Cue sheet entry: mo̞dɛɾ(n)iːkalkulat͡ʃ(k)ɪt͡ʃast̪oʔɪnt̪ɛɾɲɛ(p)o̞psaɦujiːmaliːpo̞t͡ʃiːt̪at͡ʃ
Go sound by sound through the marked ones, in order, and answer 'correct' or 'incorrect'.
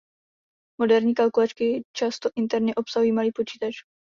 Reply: incorrect: ɲ, correct, incorrect: ʔ

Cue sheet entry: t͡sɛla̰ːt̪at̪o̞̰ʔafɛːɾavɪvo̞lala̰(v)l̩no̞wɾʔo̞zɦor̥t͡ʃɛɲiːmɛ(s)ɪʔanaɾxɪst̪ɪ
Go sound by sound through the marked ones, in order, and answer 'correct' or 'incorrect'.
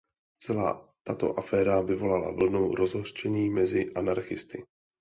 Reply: correct, incorrect: z

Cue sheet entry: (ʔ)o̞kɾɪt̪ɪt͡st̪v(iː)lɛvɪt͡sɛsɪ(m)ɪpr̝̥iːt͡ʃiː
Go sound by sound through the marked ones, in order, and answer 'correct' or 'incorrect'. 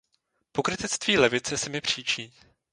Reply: incorrect: p, correct, correct

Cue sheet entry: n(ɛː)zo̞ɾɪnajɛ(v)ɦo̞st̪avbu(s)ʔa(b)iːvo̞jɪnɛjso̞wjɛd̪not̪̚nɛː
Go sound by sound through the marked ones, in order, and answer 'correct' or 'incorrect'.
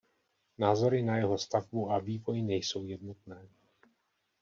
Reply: incorrect: aː, incorrect: none, incorrect: none, incorrect: v

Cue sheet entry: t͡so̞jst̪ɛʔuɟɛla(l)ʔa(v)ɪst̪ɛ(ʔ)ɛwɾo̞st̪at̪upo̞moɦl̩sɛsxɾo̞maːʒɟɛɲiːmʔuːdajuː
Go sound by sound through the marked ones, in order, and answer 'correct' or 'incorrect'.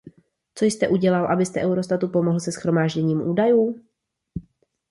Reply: correct, incorrect: b, correct

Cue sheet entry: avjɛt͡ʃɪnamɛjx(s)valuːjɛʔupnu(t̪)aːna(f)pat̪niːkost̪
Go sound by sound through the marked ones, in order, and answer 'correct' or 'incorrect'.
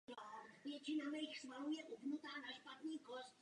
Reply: correct, correct, incorrect: ʃ

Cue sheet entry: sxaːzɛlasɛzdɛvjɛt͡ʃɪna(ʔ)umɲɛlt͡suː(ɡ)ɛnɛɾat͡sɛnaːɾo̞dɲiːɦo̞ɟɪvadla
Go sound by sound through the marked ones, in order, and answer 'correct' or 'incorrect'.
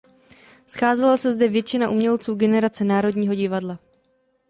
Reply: correct, correct

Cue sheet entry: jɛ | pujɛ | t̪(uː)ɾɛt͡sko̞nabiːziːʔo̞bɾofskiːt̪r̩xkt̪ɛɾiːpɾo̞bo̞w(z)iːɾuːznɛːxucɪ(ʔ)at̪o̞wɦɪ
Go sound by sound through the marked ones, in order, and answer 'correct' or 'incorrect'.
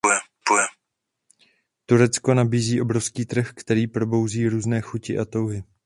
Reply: incorrect: u, correct, correct

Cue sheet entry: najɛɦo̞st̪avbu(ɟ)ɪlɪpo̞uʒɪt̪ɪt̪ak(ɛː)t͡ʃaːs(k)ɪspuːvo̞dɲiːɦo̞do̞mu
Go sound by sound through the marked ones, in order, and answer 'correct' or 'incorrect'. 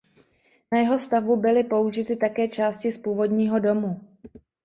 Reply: incorrect: b, correct, incorrect: c

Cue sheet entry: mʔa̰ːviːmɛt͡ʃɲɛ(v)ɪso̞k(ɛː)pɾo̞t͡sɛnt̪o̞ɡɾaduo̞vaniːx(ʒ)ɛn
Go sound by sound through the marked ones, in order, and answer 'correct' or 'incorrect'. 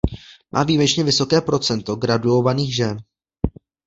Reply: correct, correct, correct

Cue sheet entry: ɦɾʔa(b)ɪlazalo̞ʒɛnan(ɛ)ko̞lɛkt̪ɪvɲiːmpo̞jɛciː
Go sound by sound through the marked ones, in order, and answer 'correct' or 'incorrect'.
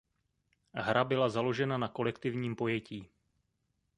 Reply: correct, incorrect: a

